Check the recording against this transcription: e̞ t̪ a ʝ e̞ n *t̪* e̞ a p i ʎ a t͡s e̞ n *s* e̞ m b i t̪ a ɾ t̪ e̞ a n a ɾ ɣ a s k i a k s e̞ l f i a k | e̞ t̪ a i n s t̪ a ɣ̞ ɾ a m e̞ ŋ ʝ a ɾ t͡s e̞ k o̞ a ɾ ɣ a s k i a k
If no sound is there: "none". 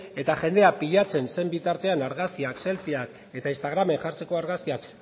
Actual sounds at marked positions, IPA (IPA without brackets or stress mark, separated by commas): d̪, s